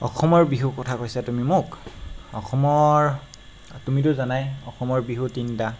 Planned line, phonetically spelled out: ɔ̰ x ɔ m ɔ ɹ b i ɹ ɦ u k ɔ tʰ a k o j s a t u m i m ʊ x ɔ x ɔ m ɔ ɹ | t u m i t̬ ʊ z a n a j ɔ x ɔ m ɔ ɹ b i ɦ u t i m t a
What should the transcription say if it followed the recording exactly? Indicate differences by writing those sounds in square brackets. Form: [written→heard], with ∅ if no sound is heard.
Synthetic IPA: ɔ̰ x ɔ m ɔ ɹ b i [ɹ→∅] ɦ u k ɔ tʰ a k o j s a t u m i m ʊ [x→k] ɔ x ɔ m ɔ ɹ | t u m i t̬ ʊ z a n a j ɔ x ɔ m ɔ ɹ b i ɦ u t i [m→n] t a